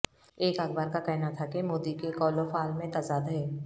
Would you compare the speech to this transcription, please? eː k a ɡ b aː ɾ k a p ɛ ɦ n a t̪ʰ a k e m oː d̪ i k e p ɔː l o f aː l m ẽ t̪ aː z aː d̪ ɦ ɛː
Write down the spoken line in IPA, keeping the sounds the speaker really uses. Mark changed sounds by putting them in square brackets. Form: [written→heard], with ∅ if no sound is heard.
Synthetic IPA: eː k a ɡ b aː ɾ k a [p→k] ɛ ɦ n a t̪ʰ a k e m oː d̪ i k e [p→k] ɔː l o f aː l m ẽ t̪ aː z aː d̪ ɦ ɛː